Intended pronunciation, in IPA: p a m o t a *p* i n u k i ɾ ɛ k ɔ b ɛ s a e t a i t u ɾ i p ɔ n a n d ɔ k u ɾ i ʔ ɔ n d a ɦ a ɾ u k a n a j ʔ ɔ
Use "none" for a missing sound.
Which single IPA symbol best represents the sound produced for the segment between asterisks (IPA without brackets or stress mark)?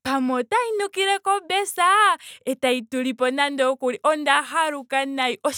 none